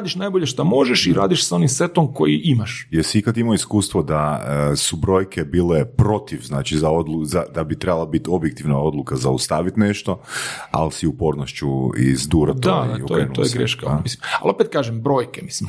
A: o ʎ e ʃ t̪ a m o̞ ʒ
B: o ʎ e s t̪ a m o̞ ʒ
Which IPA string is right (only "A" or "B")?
A